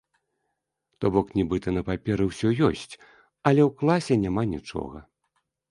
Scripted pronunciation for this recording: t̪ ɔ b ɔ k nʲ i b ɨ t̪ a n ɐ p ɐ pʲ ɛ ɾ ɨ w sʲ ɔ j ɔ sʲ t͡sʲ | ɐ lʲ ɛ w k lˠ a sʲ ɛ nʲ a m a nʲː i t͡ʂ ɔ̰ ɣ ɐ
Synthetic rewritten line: t̪ ɔ b ɔ k nʲ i b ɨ t̪ ɐ n ɐ p a pʲ ɛ ɾ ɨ w sʲ ɔ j ɔ sʲ t͡sʲ | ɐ lʲ ɛ w k lˠ a sʲ ɛ nʲ a m a nʲ i t͡ʂ ɔ̰ ɣ ɐ